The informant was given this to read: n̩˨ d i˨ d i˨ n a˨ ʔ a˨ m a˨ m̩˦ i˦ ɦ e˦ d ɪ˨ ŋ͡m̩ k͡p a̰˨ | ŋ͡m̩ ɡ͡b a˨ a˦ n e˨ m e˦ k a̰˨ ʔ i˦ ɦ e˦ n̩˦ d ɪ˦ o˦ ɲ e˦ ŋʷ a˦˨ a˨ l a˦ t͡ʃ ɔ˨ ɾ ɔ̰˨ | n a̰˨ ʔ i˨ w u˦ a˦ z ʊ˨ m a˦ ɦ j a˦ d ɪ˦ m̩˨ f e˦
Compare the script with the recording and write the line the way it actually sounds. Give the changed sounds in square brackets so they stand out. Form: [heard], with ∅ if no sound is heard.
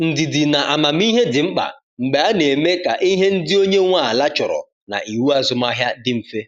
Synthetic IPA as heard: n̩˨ d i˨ d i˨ n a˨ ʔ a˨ m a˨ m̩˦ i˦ ɦ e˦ d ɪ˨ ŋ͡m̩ k͡p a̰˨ | ŋ͡m̩ ɡ͡b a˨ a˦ n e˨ m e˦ k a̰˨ ʔ i˦ ɦ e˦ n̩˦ d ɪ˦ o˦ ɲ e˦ ŋʷ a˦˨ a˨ l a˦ t͡ʃ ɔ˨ ɾ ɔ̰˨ | n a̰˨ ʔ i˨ w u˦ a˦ z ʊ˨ m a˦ ɦ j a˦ d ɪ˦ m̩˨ f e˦